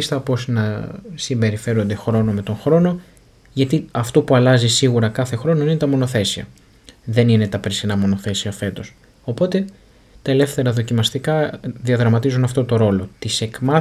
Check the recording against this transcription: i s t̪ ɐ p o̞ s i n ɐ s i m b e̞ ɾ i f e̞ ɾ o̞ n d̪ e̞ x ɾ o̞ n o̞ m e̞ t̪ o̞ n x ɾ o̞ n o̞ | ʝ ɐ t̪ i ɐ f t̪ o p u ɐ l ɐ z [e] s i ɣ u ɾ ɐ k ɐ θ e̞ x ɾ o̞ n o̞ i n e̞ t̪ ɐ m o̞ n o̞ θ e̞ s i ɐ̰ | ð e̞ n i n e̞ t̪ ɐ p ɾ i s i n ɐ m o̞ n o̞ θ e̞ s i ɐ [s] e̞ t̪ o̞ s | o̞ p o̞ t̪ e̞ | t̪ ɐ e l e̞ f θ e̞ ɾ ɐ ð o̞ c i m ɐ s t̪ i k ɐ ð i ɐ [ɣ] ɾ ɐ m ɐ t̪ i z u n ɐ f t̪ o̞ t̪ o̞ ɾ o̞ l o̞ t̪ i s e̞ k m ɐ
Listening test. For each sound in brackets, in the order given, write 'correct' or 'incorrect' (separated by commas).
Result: incorrect, incorrect, incorrect